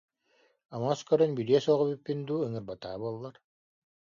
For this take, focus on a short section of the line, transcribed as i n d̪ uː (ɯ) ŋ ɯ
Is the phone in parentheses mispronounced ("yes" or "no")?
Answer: no